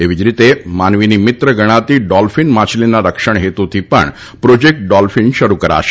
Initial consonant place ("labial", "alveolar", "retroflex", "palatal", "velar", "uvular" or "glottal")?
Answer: labial